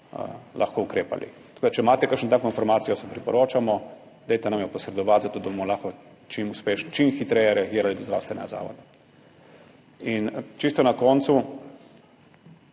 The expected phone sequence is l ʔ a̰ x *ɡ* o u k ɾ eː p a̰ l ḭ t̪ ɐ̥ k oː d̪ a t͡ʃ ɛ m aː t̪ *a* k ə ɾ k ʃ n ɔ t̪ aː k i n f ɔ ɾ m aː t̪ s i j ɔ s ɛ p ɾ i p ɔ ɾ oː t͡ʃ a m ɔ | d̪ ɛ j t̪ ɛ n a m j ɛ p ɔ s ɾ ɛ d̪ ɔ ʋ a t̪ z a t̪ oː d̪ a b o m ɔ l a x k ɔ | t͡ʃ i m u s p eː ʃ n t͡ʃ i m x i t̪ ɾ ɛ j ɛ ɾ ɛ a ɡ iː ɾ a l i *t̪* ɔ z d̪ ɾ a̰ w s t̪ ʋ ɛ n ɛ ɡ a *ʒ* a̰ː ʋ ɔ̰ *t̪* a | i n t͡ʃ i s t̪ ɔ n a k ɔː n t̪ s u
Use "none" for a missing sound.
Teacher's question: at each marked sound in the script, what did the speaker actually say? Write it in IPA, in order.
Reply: k, ɛ, d̪, z, d̪

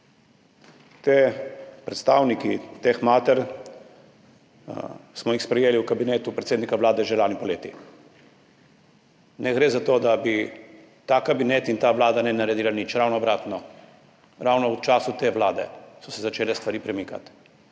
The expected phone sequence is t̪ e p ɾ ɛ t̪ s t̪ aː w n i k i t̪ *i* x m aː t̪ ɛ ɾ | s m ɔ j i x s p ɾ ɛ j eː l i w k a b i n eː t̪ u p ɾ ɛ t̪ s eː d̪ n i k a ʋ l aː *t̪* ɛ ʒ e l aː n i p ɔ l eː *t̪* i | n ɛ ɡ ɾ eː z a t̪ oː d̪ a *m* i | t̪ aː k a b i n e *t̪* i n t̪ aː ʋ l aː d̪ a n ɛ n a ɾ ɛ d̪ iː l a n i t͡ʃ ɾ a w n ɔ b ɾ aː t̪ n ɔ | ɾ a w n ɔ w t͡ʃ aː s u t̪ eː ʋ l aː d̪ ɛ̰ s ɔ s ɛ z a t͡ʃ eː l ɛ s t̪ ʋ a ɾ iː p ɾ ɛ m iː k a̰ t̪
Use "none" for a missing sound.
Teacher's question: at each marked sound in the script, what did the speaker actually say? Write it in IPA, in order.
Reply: e, d̪, t̪, b, t̪

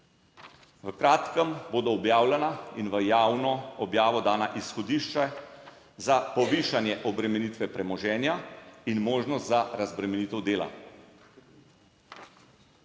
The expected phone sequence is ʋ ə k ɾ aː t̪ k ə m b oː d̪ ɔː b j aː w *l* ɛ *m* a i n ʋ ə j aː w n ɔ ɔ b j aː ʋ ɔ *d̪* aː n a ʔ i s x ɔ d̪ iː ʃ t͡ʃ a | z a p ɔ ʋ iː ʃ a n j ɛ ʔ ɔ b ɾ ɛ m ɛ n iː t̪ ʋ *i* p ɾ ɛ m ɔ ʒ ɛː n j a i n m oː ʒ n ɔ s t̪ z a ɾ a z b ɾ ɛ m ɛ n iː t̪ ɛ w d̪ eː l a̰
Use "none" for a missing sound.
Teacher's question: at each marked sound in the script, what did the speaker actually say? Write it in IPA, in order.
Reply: l, n, d̪, ɛ

